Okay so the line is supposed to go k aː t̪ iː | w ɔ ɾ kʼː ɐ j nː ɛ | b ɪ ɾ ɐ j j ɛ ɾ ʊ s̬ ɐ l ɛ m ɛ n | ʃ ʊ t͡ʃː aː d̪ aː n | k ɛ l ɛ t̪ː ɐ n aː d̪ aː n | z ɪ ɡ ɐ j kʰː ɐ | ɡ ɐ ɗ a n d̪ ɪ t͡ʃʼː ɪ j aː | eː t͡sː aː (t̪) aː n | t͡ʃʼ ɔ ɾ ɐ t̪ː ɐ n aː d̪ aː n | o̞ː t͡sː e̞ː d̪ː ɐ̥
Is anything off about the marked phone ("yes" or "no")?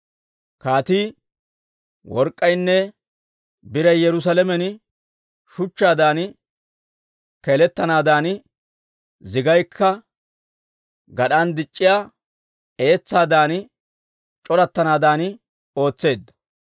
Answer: yes